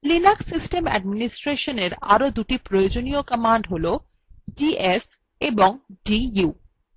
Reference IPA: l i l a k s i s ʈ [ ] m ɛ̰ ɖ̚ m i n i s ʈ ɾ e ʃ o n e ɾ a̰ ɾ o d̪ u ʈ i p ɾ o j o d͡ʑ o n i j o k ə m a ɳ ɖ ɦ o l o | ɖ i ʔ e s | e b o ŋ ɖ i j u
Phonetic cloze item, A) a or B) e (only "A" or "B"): B